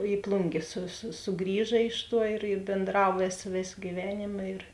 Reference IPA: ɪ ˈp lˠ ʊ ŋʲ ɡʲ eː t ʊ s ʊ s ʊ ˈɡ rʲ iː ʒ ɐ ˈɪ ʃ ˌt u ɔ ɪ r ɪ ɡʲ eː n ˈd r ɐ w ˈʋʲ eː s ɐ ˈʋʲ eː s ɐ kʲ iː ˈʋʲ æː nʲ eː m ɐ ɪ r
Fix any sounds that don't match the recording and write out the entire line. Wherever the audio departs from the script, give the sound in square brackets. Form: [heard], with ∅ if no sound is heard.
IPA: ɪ ˈp lˠ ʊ ŋʲ ɡʲ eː [s] ʊ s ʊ s ʊ ˈɡ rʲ iː ʒ ɐ ˈɪ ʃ ˌt u ɔ ɪ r ɪ [bʲ] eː n ˈd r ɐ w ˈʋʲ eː s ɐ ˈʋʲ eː s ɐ [ɡʲ] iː ˈʋʲ æː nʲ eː m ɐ ɪ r